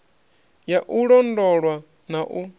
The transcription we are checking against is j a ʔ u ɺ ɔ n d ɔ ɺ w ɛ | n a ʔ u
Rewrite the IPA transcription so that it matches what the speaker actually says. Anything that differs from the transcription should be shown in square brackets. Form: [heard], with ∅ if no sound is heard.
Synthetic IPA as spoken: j a ʔ u ɺ ɔ n d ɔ ɺ w [a] | n a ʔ u